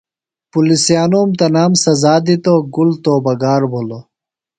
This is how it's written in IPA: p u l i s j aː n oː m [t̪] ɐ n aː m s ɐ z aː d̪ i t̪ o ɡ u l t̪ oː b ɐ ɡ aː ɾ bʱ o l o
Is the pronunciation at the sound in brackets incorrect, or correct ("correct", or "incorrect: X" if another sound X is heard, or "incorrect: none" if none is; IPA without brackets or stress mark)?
correct